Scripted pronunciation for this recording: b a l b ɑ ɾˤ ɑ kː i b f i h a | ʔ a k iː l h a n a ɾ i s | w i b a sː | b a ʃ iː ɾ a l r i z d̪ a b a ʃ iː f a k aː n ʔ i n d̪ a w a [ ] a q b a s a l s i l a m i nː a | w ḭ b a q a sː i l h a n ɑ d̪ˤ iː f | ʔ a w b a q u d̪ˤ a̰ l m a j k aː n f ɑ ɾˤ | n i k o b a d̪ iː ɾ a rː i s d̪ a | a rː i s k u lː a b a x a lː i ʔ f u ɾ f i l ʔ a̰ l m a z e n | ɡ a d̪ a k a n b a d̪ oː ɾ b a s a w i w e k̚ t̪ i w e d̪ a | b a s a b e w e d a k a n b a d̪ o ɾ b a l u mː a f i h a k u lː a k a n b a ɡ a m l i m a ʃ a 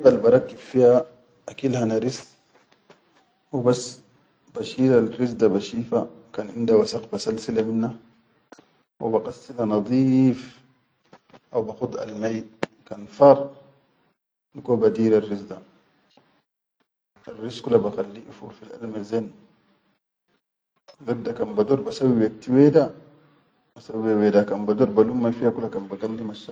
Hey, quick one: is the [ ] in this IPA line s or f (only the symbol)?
s